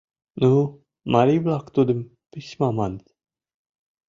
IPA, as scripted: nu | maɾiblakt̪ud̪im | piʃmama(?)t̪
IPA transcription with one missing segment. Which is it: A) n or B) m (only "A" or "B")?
A